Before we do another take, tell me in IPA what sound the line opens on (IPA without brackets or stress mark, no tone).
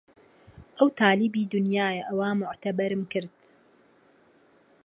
ʔ